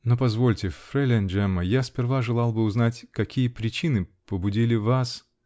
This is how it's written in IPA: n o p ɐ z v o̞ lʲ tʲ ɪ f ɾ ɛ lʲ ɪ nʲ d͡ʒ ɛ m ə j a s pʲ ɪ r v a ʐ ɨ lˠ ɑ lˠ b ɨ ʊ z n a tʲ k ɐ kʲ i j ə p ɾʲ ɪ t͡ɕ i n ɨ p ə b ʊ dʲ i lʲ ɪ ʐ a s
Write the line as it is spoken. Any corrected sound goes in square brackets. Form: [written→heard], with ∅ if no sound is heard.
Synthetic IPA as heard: n o p ɐ z v o̞ lʲ tʲ ɪ f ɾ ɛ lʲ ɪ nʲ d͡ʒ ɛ m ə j a s pʲ ɪ r v a ʐ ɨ lˠ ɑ lˠ b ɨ ʊ z n a tʲ k ɐ kʲ i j ə p ɾʲ ɪ t͡ɕ i n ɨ p ə b ʊ dʲ i lʲ ɪ [ʐ→v] a s